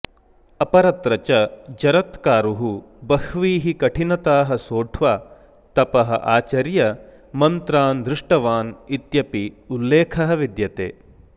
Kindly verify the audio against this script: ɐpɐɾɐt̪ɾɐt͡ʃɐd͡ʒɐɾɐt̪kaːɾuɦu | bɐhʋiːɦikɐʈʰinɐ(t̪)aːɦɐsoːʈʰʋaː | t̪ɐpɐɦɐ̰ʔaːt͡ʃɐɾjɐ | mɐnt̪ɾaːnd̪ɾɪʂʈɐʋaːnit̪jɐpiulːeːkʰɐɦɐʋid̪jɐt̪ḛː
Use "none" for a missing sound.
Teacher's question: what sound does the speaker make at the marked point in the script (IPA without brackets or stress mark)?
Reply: t̪